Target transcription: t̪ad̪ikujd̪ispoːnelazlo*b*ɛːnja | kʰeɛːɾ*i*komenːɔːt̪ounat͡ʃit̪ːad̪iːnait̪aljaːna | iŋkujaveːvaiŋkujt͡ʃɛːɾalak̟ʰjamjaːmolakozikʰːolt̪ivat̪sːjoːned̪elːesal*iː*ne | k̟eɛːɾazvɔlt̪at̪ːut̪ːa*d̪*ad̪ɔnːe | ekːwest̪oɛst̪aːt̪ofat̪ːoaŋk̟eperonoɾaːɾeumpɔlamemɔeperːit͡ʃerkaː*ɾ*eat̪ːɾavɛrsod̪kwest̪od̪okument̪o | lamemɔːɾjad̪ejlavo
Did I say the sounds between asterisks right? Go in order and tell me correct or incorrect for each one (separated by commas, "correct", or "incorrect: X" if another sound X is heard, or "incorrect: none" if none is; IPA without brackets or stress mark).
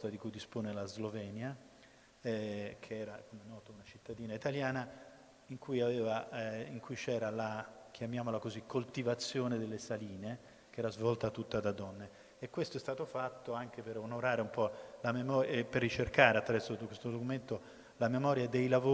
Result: incorrect: v, incorrect: a, correct, correct, correct